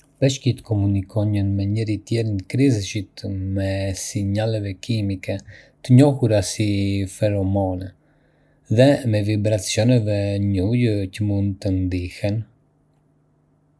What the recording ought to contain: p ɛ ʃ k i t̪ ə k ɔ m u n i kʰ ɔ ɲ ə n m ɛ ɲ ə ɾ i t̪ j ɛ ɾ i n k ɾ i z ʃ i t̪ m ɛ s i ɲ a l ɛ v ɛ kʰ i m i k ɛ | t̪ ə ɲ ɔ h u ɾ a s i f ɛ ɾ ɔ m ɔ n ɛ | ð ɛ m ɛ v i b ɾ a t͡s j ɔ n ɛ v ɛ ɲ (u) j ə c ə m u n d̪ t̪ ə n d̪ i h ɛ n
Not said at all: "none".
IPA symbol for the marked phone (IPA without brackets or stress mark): u